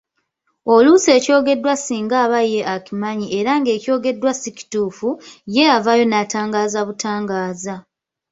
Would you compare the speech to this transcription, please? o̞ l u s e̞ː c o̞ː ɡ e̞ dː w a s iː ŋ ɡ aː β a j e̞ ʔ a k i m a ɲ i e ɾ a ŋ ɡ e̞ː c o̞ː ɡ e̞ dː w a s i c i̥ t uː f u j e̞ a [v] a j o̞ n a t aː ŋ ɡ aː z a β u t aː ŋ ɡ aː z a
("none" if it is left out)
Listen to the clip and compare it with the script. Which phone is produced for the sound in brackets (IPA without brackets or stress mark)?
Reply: v